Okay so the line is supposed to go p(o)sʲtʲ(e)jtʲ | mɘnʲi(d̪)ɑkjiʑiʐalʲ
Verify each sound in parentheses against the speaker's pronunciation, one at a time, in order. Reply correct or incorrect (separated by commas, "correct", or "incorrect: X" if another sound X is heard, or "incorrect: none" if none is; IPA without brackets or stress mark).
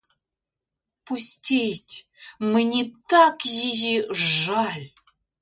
incorrect: u, correct, incorrect: t̪